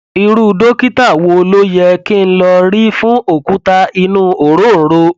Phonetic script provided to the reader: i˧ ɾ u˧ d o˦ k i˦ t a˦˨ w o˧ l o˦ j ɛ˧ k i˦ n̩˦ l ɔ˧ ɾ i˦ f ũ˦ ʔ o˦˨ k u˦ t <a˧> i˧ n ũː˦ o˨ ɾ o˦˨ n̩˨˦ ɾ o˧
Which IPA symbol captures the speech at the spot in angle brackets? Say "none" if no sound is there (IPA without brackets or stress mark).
a˧